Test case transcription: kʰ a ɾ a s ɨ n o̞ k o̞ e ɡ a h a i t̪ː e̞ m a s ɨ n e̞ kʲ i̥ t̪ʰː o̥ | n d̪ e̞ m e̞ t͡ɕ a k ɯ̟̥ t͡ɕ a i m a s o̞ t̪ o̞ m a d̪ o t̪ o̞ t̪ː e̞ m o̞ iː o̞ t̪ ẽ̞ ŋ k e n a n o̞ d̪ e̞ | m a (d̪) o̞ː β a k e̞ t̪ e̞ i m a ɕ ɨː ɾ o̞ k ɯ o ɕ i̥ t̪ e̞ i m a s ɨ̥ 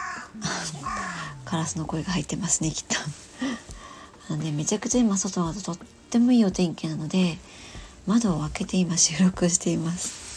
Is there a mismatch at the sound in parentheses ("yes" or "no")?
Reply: no